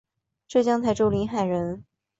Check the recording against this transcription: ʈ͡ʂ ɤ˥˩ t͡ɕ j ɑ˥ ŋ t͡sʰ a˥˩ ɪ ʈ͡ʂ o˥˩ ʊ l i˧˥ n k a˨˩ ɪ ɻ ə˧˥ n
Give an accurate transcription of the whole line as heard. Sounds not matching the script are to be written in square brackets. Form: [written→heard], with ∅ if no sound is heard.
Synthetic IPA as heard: ʈ͡ʂ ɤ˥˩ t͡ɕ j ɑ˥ ŋ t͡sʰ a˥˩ ɪ ʈ͡ʂ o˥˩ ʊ l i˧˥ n [k→x] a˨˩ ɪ ɻ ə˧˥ n